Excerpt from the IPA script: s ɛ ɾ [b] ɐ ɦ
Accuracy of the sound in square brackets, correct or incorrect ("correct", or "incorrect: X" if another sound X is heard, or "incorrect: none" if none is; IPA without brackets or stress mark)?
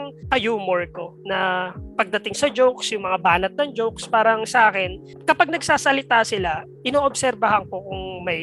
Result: correct